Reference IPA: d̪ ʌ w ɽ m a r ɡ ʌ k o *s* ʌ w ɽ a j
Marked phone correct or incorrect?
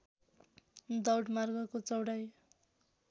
incorrect